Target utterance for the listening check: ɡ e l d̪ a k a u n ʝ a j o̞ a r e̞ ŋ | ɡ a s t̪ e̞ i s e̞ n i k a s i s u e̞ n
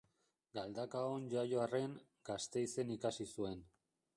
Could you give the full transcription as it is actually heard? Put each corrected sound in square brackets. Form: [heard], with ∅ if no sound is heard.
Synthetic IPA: ɡ [a] l d̪ a k a [o] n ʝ a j o̞ a r e̞ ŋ | ɡ a s t̪ e̞ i s e̞ n i k a s i s u e̞ n